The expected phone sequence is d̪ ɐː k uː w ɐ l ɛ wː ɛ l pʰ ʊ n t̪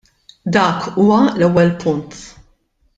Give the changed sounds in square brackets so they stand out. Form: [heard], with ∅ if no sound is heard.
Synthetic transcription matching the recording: d̪ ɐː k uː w ɐ l ɛ wː ɛ l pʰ ʊ n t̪